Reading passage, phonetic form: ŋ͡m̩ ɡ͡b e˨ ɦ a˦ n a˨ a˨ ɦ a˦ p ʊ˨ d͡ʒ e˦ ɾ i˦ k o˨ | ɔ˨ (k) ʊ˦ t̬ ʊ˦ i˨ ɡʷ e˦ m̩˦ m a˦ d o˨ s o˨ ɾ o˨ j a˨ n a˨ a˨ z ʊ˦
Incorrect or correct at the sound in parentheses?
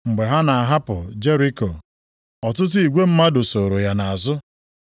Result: incorrect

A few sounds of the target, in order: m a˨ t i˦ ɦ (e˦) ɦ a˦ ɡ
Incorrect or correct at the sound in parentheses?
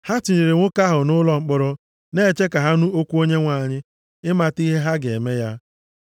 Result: correct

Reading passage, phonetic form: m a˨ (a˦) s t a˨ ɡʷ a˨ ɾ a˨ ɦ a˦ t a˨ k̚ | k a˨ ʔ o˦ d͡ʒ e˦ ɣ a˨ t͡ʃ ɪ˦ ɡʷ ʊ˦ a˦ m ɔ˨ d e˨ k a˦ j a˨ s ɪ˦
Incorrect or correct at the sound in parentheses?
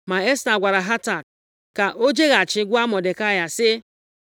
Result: incorrect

